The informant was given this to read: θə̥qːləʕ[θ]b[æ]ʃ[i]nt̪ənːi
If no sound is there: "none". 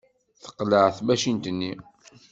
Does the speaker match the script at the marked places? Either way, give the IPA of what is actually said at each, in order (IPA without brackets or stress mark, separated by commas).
θ, æ, i